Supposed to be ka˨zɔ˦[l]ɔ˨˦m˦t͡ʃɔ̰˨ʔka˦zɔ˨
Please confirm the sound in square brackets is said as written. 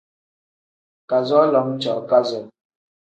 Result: yes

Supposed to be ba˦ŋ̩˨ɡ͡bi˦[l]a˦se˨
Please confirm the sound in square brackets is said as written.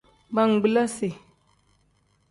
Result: yes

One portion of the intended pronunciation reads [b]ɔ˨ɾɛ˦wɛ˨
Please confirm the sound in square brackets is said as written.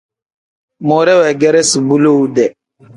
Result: no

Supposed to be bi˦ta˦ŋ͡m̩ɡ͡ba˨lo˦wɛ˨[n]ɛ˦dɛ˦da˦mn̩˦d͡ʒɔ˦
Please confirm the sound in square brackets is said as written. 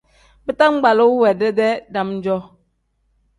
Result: no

